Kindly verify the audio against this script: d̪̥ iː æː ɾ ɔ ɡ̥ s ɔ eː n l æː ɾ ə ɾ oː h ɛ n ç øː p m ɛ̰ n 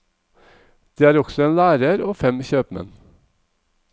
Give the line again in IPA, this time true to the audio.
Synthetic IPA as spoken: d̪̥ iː æː ɾ ɔ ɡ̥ s ɔ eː n l æː ɾ ə ɾ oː f ɛ m ç øː p m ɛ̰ n